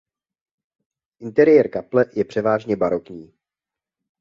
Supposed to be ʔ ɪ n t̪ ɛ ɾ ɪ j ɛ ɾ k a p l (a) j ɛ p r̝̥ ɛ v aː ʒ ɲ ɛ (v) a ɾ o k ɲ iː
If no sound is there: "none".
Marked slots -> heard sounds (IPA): ɛ, b

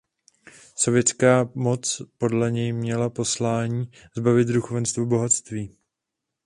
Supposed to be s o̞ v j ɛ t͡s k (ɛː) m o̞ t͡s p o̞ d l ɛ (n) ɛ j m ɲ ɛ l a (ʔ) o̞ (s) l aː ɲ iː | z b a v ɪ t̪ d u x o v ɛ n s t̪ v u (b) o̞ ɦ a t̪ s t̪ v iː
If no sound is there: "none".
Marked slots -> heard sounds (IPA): aː, ɲ, p, s, b

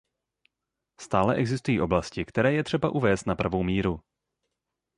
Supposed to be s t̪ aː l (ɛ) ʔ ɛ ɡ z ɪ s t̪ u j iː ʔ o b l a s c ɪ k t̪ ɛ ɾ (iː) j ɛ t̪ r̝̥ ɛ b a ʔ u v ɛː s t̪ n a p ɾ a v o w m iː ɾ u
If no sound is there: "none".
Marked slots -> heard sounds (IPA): ɛ, ɛː

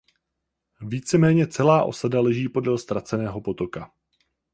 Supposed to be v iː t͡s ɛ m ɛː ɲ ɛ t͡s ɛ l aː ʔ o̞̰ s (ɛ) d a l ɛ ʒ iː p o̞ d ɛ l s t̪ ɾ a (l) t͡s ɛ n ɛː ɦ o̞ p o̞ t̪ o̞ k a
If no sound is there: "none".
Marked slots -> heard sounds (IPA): a, none

